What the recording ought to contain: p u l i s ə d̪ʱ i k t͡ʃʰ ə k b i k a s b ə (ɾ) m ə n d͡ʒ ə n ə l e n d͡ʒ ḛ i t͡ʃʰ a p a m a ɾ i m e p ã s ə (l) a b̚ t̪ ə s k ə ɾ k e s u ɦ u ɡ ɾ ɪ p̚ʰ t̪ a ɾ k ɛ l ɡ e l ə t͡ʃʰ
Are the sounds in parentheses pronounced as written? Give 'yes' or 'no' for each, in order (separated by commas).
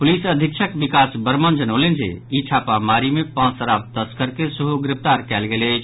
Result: yes, no